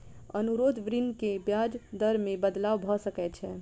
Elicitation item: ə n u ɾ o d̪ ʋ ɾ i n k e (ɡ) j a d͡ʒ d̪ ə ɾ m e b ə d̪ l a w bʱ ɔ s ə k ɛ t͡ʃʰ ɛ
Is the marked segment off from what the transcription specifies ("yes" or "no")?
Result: yes